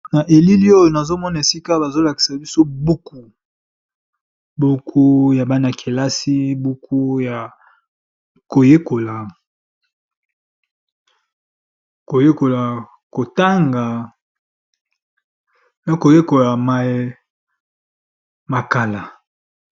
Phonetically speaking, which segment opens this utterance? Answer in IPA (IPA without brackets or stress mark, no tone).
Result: n